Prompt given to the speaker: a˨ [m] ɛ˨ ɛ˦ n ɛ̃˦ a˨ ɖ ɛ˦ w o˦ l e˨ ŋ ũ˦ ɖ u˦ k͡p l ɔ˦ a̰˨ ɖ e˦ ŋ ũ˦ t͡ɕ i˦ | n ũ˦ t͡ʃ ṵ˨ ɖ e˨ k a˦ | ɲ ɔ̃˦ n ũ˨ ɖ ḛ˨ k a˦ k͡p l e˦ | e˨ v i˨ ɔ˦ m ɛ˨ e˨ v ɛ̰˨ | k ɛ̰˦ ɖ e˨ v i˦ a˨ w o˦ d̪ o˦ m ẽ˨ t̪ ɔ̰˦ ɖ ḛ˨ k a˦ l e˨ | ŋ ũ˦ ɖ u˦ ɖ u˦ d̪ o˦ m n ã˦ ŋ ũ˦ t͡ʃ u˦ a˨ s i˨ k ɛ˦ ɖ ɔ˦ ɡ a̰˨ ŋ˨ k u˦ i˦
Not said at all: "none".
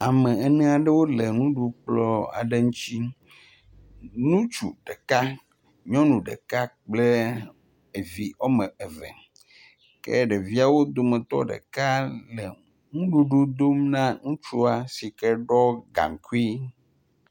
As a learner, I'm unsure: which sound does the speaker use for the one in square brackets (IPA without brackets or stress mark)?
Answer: m